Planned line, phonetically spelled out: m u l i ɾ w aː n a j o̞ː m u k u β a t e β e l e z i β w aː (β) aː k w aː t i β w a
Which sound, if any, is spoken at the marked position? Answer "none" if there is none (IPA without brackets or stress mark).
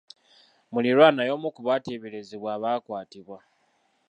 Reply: β